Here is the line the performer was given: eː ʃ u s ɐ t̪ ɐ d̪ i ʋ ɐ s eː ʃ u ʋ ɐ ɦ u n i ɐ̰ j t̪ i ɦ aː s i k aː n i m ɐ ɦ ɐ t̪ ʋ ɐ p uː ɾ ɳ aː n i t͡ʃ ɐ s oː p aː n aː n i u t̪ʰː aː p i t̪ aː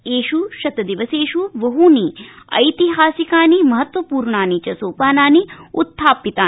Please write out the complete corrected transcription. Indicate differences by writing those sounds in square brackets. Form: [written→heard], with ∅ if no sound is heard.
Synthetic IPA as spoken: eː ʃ u [s→ʃ] ɐ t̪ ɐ d̪ i ʋ ɐ s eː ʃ u ʋ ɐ ɦ u n i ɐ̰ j t̪ i ɦ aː s i k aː n i m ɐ ɦ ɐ t̪ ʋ ɐ p uː ɾ ɳ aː n i t͡ʃ ɐ s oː p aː n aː n i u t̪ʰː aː p i t̪ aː